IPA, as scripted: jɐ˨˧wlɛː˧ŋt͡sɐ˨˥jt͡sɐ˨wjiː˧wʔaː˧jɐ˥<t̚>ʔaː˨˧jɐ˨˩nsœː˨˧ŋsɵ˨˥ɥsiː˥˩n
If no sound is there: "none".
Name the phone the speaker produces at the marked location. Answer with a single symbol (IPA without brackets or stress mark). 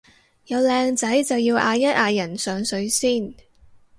t̚